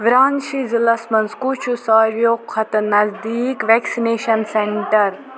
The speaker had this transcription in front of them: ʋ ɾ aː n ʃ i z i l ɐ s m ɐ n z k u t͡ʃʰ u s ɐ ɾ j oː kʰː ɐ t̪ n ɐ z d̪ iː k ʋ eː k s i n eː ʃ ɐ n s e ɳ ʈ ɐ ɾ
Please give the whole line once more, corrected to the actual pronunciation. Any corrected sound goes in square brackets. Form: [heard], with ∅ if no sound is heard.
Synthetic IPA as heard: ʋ ɾ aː n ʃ i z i l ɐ s m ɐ n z k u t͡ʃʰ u s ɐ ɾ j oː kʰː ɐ t̪ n ɐ z d̪ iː k ʋ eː k s i n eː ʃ ɐ n s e ɳ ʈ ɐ ɾ